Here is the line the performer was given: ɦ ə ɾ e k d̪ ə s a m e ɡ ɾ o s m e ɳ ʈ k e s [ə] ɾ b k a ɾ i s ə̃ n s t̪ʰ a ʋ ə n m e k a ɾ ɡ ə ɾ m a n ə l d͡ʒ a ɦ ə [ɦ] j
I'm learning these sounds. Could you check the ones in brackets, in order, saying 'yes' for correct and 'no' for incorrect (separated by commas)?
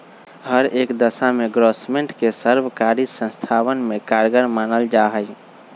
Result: yes, no